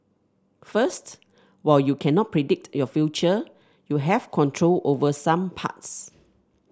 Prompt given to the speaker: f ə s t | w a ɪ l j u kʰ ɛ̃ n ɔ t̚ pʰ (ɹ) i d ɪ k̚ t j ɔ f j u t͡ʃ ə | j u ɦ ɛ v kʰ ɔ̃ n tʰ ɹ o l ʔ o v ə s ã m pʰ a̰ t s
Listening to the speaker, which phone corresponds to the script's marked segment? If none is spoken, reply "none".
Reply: ɹ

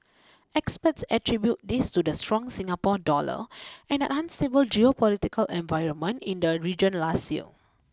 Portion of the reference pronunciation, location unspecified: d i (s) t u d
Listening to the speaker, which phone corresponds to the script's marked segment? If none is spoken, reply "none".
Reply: s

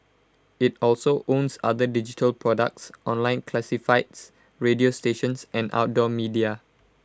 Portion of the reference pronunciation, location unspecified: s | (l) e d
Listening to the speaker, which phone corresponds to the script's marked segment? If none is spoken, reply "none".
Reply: ɹ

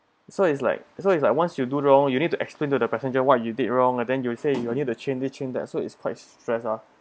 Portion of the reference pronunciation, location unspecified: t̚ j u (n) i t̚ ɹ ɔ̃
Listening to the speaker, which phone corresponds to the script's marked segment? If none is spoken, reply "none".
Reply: d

